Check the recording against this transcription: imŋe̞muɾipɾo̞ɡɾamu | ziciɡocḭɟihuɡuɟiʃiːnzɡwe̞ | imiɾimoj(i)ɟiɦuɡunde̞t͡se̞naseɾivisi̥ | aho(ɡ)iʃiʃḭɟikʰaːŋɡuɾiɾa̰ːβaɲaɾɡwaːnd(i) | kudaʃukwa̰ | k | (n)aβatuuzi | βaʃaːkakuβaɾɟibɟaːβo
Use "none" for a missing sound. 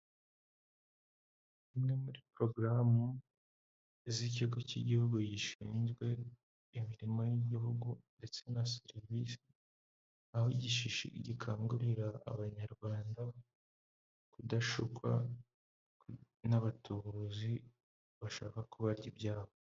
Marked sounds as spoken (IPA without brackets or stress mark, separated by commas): i, ɟ, a, n